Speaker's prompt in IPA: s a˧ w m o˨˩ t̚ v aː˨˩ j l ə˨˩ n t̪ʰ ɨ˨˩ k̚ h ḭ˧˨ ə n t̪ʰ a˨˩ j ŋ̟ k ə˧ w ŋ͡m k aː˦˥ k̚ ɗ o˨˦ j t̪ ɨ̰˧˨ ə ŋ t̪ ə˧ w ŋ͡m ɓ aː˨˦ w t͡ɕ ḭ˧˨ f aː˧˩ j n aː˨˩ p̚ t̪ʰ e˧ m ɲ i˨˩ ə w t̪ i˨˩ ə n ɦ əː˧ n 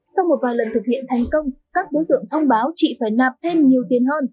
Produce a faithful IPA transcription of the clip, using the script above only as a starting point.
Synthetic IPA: s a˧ w m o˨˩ t̚ v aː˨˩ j l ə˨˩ n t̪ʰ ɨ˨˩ k̚ h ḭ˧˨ ə n t̪ʰ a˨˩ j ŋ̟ k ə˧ w ŋ͡m k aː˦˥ k̚ ɗ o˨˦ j t̪ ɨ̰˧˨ ə ŋ t̪ʰ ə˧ w ŋ͡m ɓ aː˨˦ w t͡ɕ ḭ˧˨ f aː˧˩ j n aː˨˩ p̚ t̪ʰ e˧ m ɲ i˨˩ ə w t̪ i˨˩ ə n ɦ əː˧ n